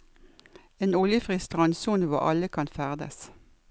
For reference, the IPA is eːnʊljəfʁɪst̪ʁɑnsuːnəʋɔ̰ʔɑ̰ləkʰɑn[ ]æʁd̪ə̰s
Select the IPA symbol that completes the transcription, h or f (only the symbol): f